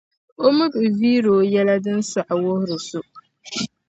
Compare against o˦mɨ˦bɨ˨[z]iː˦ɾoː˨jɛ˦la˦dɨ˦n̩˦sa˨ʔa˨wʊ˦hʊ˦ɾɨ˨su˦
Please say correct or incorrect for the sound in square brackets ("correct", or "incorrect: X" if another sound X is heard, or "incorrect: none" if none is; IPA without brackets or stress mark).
incorrect: v